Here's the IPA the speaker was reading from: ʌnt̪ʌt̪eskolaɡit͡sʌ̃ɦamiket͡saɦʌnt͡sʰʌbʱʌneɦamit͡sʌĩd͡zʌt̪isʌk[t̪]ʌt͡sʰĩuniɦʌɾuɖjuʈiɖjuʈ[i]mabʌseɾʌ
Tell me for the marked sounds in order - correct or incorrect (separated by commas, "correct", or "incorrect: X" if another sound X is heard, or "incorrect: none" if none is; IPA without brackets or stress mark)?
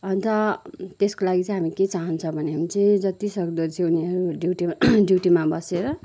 incorrect: d̪, correct